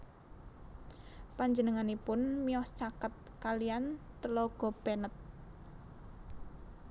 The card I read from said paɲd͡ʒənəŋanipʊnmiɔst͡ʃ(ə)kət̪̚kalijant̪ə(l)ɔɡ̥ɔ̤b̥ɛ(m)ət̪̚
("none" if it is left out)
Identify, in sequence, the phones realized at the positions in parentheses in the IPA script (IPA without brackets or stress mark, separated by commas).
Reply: a, l, n